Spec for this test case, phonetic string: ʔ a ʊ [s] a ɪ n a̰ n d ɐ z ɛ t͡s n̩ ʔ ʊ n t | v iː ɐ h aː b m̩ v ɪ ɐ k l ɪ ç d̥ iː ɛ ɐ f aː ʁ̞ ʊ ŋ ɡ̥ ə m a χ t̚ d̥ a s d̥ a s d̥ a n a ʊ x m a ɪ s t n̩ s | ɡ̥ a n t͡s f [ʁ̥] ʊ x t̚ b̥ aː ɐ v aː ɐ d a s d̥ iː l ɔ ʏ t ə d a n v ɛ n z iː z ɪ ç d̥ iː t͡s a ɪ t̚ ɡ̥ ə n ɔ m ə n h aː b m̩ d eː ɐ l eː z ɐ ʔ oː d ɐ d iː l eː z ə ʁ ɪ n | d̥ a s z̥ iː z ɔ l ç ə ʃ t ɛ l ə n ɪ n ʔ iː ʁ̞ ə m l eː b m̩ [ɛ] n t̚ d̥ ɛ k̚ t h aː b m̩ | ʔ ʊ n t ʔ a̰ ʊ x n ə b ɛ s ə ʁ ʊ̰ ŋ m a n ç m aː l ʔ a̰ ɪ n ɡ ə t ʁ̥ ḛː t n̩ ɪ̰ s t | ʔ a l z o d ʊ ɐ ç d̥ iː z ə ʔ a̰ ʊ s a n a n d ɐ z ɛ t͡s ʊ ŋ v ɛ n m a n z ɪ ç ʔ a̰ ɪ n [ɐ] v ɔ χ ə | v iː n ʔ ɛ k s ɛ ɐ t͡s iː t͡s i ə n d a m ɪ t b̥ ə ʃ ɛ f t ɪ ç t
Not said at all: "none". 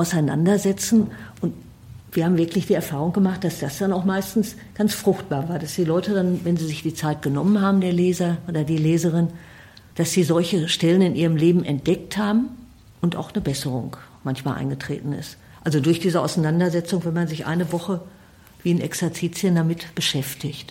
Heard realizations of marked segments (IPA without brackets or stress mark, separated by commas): s, ʁ̥, ɛ, ə